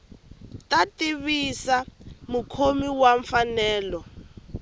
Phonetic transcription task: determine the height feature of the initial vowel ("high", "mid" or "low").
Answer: low